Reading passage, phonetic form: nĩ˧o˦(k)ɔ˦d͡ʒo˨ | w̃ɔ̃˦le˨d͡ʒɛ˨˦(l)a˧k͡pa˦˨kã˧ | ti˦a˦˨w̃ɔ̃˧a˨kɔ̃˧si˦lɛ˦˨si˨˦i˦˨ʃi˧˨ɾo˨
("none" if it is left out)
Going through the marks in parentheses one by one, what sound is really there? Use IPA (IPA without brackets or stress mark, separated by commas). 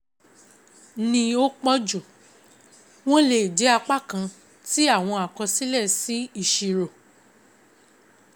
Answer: k͡p, none